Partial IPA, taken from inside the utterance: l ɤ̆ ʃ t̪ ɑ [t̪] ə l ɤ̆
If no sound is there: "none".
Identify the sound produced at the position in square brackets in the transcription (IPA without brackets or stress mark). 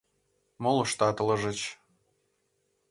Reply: t̪